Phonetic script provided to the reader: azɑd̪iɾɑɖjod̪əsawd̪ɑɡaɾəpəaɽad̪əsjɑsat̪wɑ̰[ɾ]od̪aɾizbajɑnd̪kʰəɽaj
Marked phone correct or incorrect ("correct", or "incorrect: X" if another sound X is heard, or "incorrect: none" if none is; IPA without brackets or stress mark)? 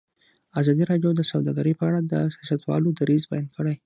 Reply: incorrect: l